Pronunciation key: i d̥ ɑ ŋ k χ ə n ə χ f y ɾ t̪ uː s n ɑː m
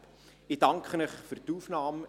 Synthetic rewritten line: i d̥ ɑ ŋ k χ ə n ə χ f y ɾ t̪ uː f n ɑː m